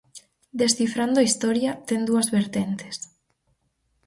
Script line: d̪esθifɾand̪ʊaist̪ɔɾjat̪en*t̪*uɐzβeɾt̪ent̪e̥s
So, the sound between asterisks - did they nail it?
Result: no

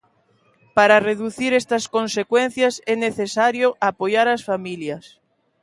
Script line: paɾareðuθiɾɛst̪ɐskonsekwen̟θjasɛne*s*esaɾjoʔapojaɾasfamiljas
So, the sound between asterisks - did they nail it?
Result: no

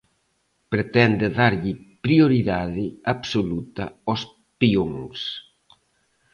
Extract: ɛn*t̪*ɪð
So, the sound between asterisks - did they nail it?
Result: no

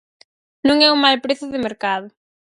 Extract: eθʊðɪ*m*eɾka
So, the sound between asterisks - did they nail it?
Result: yes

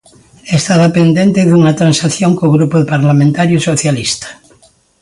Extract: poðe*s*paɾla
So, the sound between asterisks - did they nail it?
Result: no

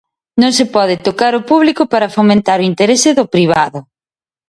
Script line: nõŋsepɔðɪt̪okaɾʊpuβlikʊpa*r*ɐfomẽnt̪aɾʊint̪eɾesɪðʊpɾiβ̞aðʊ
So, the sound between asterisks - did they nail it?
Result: no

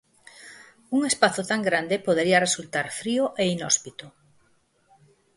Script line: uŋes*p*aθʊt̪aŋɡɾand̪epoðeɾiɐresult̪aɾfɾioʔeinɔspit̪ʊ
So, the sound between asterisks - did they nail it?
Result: yes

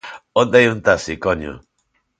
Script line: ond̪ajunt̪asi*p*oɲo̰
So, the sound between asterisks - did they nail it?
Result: no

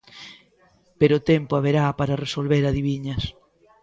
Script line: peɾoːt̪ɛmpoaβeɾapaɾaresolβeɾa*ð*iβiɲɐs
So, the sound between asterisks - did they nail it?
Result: yes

